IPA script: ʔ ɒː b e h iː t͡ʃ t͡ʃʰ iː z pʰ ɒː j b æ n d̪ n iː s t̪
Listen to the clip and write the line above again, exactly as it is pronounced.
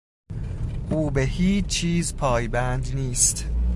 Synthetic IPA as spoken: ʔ uː b e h iː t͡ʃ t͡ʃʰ iː z pʰ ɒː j b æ n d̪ n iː s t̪